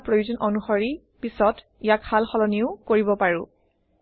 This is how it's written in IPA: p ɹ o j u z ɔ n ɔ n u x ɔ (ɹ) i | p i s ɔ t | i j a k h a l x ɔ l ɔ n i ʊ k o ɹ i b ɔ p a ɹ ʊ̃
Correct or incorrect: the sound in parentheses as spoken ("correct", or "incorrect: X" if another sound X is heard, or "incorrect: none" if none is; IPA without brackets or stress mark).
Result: correct